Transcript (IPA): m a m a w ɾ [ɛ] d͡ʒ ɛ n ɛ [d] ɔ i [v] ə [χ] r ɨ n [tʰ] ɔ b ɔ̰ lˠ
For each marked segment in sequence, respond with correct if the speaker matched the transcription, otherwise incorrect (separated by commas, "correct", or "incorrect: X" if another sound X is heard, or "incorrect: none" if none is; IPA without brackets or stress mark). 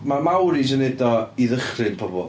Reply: incorrect: i, correct, incorrect: ð, correct, incorrect: pʰ